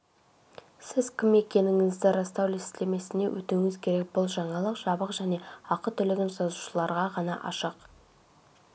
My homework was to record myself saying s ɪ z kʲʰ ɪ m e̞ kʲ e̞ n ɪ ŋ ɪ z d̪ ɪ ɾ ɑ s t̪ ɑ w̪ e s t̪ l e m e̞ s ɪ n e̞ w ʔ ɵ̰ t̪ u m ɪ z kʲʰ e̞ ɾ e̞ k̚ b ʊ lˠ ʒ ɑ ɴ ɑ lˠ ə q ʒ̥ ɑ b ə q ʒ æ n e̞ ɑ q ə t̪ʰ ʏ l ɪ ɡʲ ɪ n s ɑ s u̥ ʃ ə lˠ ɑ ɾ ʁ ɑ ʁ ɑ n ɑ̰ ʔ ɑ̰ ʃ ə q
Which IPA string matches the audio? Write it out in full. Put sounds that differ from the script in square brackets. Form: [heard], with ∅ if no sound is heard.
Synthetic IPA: s ɪ z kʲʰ ɪ m e̞ kʲ e̞ n ɪ ŋ ɪ z d̪ ɪ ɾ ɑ s t̪ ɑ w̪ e s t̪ l e m e̞ s ɪ n e̞ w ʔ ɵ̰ t̪ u [ŋ] ɪ z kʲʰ e̞ ɾ e̞ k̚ b ʊ lˠ ʒ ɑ ɴ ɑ lˠ ə q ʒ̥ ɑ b ə q ʒ æ n e̞ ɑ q ə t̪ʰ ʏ l ɪ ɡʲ ɪ n s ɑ [z] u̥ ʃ ə lˠ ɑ ɾ ʁ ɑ ʁ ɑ n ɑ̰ ʔ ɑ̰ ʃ ə q